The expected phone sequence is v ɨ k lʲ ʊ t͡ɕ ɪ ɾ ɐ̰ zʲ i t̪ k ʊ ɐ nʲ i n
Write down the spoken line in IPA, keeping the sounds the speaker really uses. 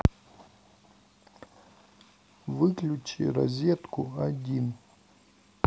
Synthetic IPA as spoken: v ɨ k lʲ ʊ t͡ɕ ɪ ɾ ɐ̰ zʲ e t̪ k ʊ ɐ dʲ i n